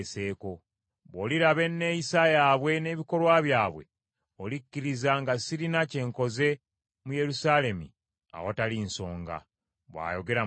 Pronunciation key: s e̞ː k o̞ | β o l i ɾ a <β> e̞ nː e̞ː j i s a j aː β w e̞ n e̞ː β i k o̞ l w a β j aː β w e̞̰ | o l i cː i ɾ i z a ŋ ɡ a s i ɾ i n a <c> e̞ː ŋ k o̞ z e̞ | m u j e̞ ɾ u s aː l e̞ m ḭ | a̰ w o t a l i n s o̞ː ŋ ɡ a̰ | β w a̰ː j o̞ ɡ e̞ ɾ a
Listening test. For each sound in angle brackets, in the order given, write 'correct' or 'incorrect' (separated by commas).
correct, correct